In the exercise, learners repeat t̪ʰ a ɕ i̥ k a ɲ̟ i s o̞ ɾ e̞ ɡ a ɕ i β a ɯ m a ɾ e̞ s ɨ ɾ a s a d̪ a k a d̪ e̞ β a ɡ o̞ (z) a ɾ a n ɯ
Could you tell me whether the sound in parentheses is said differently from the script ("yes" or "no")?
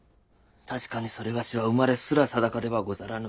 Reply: no